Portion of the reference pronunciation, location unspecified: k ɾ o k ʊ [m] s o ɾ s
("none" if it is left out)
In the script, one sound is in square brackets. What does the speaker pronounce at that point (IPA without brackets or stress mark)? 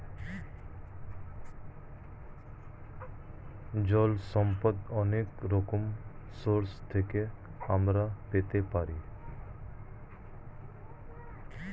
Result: m